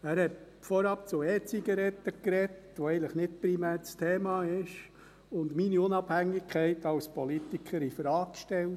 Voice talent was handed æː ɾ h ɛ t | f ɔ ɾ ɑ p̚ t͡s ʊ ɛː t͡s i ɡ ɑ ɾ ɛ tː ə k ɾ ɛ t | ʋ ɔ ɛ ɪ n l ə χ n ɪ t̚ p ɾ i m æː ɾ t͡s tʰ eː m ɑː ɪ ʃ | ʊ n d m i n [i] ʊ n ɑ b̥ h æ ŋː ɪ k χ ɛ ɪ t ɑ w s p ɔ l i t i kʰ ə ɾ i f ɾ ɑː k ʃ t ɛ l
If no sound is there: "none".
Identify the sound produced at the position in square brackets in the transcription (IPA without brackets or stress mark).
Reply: i